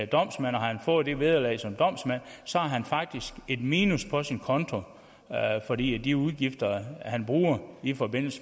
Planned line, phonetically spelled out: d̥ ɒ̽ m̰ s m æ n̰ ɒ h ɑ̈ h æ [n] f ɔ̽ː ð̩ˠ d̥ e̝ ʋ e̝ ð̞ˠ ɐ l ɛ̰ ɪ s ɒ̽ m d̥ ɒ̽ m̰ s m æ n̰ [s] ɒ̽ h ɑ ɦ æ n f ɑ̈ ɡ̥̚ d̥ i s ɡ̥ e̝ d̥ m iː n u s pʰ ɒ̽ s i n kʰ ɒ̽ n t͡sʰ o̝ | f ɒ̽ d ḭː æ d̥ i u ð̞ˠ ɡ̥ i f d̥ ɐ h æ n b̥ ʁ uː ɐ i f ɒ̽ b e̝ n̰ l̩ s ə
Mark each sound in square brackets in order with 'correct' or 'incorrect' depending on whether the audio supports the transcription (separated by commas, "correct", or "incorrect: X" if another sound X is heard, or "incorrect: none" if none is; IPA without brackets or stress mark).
correct, correct